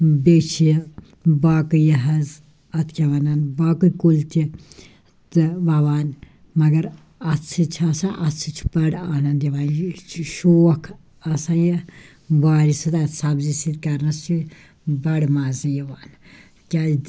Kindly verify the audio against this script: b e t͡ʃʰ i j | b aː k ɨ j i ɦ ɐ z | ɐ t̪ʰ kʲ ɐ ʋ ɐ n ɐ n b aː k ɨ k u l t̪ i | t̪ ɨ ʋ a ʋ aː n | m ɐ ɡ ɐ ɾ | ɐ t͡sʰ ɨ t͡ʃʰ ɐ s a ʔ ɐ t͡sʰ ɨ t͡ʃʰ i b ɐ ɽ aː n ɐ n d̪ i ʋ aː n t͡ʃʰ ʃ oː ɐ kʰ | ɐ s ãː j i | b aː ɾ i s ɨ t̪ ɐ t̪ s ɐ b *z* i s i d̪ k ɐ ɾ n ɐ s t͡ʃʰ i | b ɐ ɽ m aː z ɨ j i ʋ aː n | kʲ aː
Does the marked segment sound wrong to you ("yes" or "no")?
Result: no